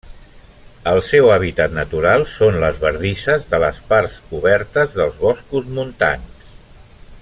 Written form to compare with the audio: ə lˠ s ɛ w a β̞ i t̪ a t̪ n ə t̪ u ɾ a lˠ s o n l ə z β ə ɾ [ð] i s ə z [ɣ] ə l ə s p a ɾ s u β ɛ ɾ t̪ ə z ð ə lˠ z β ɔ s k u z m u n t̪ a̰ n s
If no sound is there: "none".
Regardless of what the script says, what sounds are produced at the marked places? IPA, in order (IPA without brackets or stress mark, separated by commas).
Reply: ð, ð